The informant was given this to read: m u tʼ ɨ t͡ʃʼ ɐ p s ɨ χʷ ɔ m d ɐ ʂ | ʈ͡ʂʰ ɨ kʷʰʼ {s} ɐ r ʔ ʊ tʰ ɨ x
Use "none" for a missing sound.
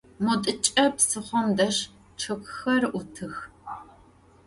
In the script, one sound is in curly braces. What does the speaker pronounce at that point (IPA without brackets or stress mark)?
x